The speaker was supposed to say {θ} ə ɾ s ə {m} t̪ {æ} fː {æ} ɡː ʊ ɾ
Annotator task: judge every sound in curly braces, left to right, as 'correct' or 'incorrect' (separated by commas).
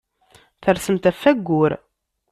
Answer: correct, correct, correct, correct